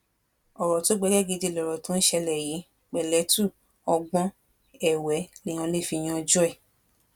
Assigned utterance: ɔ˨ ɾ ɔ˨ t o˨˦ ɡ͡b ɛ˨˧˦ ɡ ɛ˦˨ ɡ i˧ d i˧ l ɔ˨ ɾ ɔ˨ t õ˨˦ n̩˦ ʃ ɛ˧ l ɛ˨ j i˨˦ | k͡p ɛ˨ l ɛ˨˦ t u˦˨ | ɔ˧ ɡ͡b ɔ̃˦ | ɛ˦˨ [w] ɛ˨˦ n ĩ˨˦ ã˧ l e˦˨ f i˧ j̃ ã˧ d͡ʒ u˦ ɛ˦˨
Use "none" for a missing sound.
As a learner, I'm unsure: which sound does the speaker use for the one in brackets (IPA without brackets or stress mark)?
w